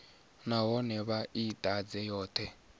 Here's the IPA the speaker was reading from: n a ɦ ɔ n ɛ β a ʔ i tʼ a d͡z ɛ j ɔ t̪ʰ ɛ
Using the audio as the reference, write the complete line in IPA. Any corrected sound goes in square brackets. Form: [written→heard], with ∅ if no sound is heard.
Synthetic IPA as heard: n a ɦ ɔ n ɛ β a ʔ i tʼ a d͡z ɛ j [ɔ→ɔː] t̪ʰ ɛ